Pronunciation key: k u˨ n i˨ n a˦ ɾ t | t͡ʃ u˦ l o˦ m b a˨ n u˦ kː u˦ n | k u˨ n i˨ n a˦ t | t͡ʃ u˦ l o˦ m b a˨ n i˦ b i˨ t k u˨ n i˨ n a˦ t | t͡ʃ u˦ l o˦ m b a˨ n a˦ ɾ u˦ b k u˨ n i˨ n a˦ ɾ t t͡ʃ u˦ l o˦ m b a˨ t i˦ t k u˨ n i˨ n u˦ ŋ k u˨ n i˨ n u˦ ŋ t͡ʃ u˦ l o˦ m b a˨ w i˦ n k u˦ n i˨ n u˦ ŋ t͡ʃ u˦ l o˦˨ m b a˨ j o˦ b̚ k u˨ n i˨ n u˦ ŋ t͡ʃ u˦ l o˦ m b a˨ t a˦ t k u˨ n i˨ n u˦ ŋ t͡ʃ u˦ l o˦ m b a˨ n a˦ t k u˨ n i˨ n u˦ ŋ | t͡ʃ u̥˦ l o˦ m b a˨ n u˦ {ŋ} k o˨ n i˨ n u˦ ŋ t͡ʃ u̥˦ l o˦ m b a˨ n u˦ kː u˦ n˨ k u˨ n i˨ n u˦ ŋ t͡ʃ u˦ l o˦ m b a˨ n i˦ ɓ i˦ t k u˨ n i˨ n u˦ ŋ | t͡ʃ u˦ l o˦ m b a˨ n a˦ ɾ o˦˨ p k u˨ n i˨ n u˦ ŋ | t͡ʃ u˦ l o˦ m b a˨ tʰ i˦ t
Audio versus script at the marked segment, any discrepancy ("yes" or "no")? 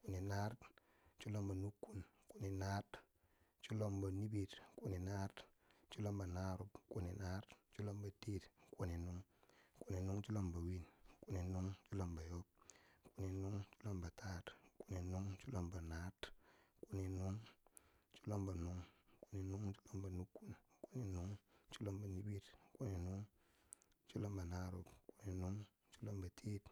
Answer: no